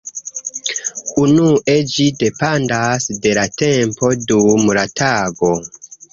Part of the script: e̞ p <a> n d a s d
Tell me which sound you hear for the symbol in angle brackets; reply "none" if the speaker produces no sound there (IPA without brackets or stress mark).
a